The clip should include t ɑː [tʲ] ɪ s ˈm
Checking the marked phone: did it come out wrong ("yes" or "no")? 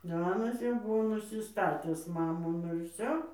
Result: no